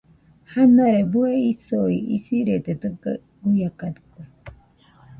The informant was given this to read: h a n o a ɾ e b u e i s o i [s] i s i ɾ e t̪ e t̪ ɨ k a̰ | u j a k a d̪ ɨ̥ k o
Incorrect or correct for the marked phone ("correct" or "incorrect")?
incorrect